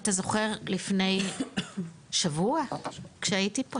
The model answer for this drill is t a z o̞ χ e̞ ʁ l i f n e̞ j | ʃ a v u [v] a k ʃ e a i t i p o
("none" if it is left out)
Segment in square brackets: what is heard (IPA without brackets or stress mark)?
none